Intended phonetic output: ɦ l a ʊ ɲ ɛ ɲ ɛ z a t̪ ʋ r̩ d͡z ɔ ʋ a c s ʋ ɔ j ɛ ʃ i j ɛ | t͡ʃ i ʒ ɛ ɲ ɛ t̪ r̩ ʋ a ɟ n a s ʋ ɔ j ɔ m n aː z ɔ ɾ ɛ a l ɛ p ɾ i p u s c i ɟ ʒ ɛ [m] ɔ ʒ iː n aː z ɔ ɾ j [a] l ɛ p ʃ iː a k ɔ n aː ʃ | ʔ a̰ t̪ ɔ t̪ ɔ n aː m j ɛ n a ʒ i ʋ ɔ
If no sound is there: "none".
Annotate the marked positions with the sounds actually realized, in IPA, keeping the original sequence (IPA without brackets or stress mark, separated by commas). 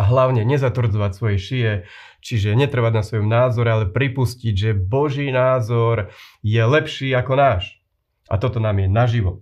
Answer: b, ɛ